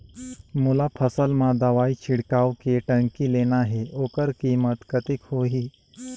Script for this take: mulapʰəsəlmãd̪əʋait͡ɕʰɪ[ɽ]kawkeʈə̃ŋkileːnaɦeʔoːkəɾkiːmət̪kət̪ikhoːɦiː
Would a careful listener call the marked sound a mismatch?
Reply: no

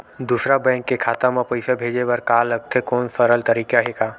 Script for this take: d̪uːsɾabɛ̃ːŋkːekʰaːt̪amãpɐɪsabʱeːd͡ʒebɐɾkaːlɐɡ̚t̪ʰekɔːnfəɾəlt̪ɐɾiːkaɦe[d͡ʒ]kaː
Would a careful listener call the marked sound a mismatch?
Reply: yes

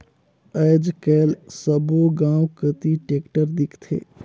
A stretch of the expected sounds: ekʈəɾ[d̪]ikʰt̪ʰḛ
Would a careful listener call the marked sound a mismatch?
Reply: no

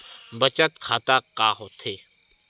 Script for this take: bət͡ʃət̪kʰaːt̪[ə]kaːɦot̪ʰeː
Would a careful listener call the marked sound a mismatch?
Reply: yes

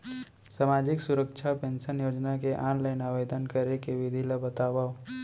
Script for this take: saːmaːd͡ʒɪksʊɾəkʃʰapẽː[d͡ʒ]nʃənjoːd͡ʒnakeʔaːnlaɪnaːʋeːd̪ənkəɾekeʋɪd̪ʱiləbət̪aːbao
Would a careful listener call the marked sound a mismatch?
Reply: yes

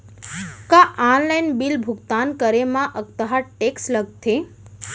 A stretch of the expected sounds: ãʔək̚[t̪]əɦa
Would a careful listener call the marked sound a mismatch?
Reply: no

